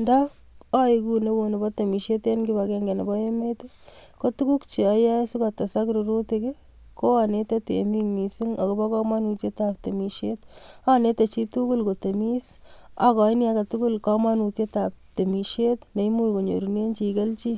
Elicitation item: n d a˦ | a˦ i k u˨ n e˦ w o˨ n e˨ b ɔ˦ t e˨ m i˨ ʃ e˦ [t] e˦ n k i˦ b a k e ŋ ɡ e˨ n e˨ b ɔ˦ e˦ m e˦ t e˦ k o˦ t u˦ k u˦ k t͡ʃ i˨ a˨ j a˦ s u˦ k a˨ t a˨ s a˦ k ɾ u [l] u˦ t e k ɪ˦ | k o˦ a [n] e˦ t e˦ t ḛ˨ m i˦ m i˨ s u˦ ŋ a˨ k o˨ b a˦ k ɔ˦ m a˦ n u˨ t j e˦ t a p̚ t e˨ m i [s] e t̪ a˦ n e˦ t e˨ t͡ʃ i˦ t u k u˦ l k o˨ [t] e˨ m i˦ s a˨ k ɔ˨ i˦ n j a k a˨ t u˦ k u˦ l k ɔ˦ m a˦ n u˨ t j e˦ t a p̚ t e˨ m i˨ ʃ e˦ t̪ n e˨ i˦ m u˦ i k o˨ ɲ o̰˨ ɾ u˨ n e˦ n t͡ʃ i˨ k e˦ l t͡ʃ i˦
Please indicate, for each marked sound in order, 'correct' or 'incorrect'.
correct, incorrect: ɾ, correct, incorrect: ʃ, correct

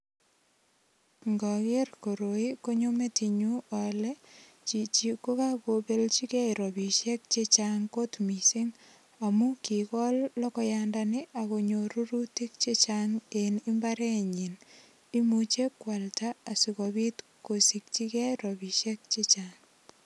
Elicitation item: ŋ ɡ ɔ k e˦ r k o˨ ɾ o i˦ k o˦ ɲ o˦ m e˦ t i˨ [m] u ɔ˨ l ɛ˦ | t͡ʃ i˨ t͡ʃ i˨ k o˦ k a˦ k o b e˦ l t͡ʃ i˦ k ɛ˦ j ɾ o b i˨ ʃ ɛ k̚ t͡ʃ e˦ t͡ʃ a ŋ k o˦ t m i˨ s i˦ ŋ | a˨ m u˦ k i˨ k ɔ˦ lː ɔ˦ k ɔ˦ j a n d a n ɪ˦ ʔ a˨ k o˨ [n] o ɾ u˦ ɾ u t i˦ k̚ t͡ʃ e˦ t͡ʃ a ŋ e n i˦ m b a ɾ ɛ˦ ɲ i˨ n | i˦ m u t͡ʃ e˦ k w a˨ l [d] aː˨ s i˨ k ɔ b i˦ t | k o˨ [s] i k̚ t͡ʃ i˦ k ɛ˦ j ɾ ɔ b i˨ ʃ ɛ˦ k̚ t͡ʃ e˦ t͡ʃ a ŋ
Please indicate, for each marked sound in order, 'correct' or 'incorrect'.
incorrect: ɲ, incorrect: ɲ, incorrect: t, correct

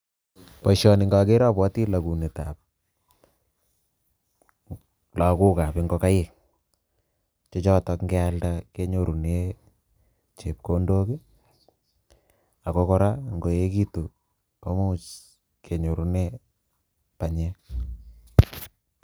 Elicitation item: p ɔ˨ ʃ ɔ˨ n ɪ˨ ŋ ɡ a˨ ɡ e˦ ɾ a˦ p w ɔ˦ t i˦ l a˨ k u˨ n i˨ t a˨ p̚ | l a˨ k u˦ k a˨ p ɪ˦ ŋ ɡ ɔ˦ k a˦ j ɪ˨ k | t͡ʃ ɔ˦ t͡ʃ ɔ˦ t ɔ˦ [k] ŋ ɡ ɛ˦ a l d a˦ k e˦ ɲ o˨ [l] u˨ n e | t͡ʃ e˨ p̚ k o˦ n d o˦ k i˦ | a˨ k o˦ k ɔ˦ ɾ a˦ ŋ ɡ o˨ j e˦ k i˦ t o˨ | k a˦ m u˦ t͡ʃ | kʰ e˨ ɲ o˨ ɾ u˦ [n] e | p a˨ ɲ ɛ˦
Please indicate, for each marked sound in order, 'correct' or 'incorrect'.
correct, incorrect: ɾ, correct

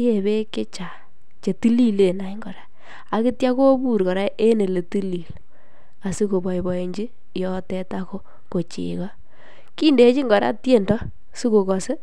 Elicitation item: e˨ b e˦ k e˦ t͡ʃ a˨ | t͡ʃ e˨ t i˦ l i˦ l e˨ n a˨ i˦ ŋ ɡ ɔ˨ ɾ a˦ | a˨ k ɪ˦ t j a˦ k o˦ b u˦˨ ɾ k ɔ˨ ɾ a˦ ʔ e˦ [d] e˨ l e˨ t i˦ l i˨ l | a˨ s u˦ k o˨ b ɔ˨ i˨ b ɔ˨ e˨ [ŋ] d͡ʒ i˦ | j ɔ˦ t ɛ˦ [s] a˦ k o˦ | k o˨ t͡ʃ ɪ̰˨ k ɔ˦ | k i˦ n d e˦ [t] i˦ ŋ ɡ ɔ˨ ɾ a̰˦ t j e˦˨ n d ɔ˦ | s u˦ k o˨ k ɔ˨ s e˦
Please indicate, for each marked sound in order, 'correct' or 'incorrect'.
incorrect: n, incorrect: ɲ, incorrect: t, incorrect: t͡ʃ

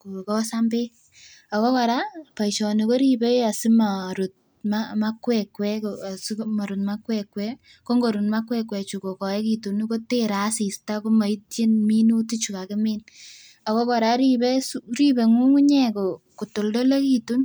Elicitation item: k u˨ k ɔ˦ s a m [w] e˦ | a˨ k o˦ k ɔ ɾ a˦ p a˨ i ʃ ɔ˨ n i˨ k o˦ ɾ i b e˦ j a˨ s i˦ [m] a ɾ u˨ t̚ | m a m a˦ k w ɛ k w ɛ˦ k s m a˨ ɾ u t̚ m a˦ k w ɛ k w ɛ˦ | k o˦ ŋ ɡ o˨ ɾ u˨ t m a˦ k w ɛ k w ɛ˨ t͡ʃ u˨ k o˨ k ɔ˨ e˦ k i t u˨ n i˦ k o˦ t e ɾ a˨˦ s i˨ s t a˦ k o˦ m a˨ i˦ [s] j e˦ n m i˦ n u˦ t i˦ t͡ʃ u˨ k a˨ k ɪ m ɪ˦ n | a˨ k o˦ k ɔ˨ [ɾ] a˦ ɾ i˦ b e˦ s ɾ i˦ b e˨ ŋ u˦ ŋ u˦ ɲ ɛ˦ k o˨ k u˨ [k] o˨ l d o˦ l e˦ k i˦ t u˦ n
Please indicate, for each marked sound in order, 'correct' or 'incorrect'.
incorrect: b, correct, incorrect: t, correct, incorrect: t

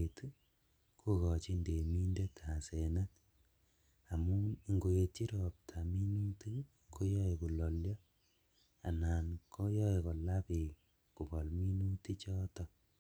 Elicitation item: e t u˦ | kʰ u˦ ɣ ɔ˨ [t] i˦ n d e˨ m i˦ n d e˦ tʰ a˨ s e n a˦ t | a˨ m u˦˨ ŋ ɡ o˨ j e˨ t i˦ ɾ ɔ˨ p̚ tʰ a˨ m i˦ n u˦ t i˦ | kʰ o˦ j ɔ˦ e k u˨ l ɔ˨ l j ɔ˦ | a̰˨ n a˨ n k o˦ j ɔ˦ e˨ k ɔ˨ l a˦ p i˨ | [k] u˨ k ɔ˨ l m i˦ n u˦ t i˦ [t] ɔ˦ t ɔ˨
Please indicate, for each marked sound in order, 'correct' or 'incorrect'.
incorrect: t͡ʃ, correct, incorrect: t͡ʃ

